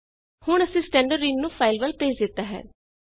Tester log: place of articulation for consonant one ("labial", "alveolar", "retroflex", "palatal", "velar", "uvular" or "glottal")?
glottal